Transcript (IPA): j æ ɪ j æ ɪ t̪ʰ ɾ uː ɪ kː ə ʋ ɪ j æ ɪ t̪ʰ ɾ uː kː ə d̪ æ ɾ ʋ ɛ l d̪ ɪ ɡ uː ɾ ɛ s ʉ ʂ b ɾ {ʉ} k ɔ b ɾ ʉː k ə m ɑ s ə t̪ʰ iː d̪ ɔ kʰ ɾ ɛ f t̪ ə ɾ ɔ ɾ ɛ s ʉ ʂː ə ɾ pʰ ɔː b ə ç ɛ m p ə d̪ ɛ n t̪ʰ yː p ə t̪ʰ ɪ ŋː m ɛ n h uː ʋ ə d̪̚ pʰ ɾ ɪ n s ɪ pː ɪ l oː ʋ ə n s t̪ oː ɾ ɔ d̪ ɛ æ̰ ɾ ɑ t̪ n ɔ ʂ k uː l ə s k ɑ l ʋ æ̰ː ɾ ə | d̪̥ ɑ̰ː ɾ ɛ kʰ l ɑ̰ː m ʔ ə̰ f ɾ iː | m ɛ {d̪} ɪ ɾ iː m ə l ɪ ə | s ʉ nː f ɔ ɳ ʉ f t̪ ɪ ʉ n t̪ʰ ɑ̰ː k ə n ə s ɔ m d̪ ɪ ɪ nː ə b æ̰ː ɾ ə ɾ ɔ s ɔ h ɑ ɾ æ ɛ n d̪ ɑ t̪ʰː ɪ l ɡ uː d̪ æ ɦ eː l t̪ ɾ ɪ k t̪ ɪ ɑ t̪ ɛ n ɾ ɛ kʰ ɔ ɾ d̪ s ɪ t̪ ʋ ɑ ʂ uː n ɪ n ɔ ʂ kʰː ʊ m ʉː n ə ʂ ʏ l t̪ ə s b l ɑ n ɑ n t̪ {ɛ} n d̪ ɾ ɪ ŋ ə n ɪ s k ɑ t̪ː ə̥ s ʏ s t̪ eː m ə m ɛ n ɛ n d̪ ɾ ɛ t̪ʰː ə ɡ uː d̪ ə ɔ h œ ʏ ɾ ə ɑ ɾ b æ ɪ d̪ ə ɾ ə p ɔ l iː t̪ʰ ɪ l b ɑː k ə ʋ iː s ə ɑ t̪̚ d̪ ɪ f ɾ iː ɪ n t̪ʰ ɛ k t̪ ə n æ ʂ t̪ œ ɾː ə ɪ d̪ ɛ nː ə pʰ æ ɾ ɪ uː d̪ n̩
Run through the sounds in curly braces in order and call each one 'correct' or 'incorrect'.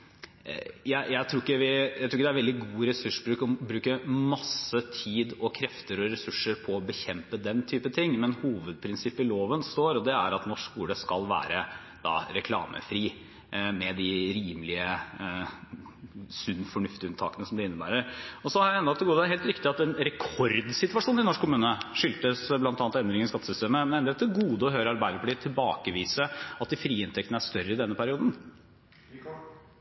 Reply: incorrect: ʉː, correct, correct

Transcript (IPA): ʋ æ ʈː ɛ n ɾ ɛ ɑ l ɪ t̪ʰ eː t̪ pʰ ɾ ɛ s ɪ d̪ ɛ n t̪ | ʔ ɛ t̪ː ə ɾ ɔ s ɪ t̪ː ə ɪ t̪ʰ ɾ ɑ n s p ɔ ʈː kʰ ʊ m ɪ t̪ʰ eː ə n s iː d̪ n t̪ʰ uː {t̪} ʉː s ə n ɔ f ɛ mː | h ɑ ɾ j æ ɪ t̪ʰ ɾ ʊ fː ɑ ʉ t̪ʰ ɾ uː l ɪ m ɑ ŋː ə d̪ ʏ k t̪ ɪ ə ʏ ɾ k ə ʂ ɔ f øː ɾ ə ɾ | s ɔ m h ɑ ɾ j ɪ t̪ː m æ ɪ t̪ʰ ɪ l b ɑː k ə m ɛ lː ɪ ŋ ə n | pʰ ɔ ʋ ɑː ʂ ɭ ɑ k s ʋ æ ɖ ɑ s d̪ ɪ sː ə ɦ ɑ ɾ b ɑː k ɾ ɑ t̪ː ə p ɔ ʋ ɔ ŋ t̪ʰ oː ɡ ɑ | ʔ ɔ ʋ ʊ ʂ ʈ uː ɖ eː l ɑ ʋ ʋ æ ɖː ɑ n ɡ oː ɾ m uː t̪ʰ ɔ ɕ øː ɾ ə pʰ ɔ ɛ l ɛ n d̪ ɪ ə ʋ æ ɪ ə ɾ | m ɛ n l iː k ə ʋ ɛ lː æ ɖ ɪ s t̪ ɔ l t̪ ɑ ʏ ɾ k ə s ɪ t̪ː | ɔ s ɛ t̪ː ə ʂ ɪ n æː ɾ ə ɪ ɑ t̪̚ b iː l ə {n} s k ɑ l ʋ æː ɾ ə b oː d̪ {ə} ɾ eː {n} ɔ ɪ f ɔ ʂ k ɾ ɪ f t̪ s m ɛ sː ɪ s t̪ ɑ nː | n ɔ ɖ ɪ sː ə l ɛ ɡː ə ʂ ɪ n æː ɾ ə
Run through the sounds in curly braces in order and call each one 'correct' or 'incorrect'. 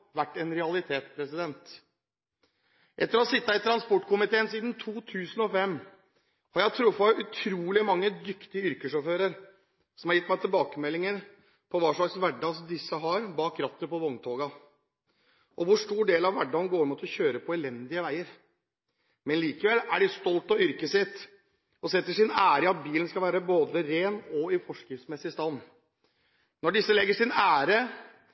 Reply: incorrect: t̪ʰ, correct, correct, correct

